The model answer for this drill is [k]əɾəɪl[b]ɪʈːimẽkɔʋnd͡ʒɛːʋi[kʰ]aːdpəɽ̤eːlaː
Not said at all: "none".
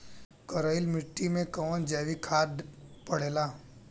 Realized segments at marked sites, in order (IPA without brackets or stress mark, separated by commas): k, m, kʰ